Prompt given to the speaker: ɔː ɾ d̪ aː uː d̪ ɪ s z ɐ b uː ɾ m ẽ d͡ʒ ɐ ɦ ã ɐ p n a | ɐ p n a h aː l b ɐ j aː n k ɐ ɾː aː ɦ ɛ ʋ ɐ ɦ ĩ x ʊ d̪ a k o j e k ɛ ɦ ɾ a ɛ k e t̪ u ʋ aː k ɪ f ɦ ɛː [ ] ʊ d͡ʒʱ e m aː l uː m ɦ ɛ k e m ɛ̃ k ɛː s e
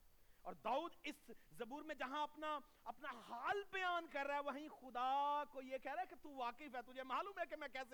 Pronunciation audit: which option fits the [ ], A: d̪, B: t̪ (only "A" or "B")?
B